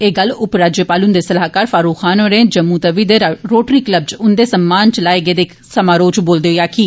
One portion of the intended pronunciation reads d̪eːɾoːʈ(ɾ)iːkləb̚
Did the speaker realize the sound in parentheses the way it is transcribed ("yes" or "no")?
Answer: yes